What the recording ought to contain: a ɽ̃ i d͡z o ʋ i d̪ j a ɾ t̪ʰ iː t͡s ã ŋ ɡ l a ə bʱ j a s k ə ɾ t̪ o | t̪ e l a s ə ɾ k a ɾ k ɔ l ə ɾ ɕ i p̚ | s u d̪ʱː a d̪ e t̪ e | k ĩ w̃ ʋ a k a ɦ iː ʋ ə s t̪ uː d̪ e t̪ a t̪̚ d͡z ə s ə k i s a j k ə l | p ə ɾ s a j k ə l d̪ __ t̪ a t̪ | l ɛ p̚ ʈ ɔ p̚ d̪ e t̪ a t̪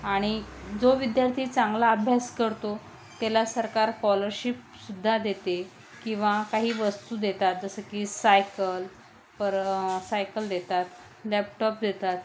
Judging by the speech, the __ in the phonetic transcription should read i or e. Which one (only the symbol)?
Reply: e